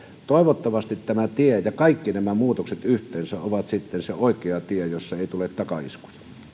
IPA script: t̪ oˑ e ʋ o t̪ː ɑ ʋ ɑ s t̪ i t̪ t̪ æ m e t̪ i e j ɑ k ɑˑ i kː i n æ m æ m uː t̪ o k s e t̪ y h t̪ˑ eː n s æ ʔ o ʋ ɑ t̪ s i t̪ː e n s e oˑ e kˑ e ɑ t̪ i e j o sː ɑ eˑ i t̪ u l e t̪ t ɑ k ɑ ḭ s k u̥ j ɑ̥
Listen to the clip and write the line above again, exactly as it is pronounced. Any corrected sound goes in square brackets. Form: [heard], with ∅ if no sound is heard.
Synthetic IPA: t̪ oˑ e ʋ o t̪ː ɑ ʋ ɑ s t̪ i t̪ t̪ æ m [æ] t̪ i e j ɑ k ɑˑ i kː i n æ m æ m uː t̪ o k s e t̪ y h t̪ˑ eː n s æ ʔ o ʋ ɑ t̪ s i t̪ː e n s e oˑ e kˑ e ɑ t̪ i e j o sː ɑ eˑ i t̪ u l e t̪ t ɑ k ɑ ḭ s k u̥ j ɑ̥